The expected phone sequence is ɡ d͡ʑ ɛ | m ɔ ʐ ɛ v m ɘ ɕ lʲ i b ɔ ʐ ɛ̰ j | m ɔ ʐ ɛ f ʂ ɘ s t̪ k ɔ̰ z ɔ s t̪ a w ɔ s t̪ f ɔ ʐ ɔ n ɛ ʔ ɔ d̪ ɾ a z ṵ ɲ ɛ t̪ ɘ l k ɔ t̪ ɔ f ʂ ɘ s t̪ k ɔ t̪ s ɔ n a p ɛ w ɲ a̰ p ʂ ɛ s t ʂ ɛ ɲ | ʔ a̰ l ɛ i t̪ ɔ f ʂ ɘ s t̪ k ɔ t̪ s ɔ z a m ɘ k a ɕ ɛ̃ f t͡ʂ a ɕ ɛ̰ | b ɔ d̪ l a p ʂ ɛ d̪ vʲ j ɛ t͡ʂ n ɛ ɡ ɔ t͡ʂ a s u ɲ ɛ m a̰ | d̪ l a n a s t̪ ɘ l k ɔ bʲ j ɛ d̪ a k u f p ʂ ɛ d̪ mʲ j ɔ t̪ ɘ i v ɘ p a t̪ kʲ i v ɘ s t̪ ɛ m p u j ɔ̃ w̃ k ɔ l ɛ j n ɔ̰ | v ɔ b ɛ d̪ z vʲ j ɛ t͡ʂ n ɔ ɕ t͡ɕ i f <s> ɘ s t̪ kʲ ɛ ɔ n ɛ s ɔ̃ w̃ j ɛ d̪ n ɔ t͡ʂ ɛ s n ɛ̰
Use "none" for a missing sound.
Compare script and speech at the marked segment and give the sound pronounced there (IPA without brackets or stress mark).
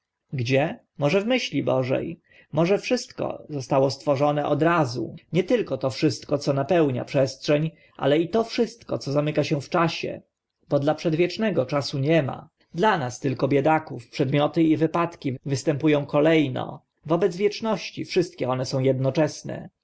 ʂ